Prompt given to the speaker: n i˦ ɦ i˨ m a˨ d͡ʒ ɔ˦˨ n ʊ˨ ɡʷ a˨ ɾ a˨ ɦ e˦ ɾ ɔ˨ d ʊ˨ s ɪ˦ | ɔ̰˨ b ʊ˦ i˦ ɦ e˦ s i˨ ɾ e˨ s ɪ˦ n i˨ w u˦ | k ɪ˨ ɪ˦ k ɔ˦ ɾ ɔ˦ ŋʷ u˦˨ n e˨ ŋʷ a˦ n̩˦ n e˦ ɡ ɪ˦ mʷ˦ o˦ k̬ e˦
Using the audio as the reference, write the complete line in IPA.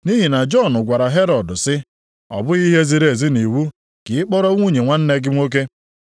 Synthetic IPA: n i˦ ɦ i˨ n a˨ d͡ʒ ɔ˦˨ n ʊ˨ ɡʷ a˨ ɾ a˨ ɦ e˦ ɾ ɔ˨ d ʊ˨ s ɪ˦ | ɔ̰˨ b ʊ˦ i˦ ɦ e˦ z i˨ ɾ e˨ z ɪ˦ n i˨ w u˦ | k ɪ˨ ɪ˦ k͡p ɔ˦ ɾ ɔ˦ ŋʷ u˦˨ ɲ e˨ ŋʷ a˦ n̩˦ n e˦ ɡ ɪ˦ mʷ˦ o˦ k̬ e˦